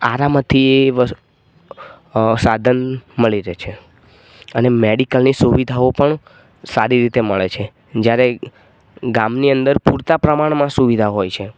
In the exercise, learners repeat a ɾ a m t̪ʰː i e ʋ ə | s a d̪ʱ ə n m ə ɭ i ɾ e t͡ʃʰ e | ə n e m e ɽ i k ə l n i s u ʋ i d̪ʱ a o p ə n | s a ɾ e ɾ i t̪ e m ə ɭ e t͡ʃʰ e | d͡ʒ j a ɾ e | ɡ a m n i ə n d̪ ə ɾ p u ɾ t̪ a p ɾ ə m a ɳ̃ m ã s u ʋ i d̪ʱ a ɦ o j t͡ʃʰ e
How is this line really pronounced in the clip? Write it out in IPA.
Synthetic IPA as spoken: a ɾ a m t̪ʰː i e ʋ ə | s a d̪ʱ ə n m ə ɭ i ɾ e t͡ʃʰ e | ə n e m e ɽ i k ə l n i s u ʋ i d̪ʱ a o p ə ɳ | s a ɾ i ɾ i t̪ e m ə ɭ e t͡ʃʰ e | d͡ʒ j a ɾ e | ɡ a m n i ə n d̪ ə ɾ p u ɾ t̪ a p ɾ ə m a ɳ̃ m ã s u ʋ i d̪ʱ a ɦ o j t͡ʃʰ e